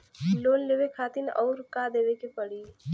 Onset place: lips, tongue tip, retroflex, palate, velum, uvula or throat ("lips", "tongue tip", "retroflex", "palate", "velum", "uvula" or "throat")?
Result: tongue tip